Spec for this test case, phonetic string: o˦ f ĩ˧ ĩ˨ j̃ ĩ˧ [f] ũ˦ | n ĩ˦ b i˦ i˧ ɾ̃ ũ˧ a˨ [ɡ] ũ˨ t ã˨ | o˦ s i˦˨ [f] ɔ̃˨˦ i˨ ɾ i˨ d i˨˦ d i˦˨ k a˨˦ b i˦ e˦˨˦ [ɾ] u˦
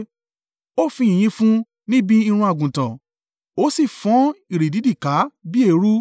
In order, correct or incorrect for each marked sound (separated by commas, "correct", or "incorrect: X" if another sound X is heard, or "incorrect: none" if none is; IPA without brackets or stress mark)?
correct, correct, correct, correct